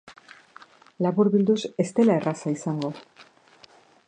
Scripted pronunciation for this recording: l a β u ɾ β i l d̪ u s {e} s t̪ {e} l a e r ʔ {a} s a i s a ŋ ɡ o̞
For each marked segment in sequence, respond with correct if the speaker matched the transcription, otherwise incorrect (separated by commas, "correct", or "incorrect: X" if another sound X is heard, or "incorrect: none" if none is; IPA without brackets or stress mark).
correct, correct, correct